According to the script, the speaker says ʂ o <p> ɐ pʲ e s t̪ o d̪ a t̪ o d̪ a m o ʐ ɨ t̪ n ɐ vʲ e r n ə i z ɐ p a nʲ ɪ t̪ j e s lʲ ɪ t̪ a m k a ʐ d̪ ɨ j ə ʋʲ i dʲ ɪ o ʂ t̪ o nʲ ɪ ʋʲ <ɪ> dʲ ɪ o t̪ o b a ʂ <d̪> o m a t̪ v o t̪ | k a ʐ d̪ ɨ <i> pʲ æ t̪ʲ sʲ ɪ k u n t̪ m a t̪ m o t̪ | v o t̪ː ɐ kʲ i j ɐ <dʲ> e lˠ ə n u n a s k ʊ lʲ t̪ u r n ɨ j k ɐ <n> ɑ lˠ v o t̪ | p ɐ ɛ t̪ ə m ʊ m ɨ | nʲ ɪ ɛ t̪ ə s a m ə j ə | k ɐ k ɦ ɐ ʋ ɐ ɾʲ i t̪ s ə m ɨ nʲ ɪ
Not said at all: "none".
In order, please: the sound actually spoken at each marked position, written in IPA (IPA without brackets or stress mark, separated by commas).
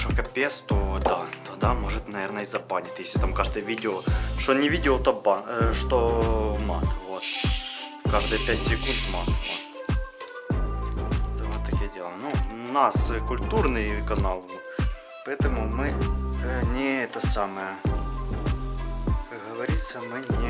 k, i, t̪, j, dʲ, n